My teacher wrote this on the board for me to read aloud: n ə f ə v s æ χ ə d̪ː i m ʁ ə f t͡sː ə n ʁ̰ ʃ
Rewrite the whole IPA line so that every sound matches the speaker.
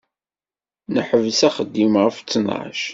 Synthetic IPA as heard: n ə ħ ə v s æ χ ə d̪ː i m ʁ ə f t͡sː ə n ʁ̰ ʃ